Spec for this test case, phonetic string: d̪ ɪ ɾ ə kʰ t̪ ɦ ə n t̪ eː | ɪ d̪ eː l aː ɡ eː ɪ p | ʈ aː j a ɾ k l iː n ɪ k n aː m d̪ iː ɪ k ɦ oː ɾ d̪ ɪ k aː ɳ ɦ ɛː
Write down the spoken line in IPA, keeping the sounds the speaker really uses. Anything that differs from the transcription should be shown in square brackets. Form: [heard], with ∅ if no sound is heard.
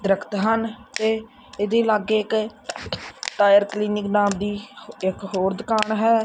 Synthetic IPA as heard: d̪ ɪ ɾ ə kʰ t̪ ɦ ə n t̪ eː | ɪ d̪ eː l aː ɡ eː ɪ [k] | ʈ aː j [ə] ɾ k l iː n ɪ k n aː m d̪ iː ɪ k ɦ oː ɾ d̪ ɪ k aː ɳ ɦ ɛː